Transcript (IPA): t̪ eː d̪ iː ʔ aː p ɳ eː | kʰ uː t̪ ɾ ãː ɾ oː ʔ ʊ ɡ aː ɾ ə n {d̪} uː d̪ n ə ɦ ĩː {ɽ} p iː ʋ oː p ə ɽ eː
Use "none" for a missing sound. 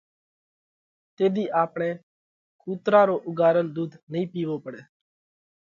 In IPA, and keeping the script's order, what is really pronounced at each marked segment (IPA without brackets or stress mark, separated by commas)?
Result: d̪, none